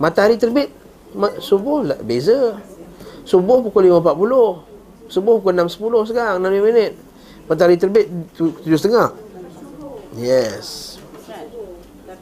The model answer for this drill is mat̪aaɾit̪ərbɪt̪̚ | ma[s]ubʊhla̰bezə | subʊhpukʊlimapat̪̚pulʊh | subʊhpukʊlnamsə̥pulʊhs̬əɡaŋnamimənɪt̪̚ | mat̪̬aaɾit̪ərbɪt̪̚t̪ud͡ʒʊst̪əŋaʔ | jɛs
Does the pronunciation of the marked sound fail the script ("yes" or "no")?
no